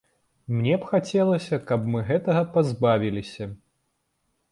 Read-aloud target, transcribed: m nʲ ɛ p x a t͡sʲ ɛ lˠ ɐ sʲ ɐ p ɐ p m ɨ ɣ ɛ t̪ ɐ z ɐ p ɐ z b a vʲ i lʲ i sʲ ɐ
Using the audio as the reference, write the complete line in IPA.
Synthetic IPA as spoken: m nʲ ɛ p x a t͡sʲ ɛ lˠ ɐ sʲ ɐ k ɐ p m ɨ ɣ ɛ t̪ ɐ ɣ ɐ p a z b a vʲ i lʲ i sʲ ɐ